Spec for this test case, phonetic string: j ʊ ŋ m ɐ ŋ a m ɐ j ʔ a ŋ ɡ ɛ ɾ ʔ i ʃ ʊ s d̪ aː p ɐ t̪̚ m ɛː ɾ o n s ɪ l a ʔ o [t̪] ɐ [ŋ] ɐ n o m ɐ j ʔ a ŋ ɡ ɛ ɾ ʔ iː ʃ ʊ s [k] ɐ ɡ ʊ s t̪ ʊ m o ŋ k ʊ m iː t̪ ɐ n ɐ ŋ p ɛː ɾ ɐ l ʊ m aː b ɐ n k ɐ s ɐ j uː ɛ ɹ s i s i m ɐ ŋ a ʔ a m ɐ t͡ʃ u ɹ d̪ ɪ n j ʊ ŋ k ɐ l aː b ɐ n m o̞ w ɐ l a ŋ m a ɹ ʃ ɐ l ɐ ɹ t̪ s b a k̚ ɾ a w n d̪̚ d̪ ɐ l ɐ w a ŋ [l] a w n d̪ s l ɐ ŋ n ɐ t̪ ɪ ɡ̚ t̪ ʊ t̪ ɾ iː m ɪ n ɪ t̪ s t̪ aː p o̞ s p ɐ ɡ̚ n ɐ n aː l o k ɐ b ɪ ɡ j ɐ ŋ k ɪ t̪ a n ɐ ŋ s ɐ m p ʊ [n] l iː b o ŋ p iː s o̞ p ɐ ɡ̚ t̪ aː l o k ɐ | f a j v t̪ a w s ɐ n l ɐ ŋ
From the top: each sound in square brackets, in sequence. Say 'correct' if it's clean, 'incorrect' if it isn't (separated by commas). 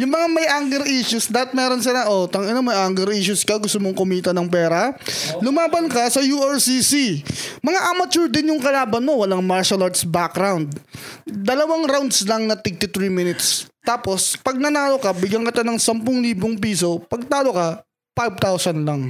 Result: correct, correct, correct, incorrect, incorrect